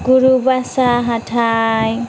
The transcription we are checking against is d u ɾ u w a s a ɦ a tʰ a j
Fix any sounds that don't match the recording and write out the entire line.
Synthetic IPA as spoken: ɡ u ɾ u b a s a ɦ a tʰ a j